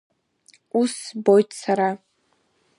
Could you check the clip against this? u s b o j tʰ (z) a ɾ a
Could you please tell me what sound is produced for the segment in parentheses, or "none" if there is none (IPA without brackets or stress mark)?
s